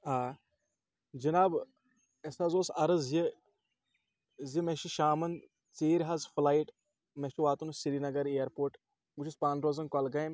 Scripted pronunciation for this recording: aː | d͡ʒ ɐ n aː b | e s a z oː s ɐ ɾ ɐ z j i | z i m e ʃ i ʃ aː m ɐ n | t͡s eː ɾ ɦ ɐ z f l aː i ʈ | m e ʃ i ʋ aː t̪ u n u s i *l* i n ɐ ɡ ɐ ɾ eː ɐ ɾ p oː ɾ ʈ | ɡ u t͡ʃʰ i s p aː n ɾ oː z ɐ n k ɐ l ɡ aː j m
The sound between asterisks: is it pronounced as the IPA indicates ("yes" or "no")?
no